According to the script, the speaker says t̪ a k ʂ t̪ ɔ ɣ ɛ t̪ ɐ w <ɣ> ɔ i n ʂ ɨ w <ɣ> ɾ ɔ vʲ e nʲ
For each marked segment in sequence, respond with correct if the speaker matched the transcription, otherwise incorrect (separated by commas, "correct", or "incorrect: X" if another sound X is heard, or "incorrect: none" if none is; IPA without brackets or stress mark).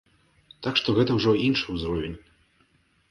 incorrect: ʐ, incorrect: z